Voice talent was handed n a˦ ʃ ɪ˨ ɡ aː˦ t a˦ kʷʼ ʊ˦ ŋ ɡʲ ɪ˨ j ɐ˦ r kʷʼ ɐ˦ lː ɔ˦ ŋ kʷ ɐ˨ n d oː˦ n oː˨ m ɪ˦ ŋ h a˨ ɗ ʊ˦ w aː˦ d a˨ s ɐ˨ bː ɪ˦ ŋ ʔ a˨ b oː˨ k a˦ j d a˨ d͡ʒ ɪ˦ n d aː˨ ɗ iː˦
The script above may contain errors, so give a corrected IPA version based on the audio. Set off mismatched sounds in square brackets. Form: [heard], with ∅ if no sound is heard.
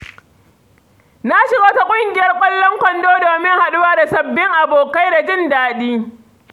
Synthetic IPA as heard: n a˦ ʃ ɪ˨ ɡ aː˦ t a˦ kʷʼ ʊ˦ ŋ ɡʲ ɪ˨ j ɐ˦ r kʷʼ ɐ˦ lː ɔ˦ ŋ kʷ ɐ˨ n d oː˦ [d] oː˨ m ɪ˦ ŋ h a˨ ɗ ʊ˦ w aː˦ d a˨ s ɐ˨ bː ɪ˦ ŋ ʔ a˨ b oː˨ k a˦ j d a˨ d͡ʒ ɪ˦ n d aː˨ ɗ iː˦